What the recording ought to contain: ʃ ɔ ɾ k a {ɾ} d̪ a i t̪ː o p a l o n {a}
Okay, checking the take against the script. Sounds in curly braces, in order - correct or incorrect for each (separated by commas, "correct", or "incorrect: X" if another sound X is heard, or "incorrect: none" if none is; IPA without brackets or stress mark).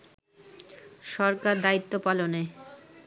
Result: correct, incorrect: e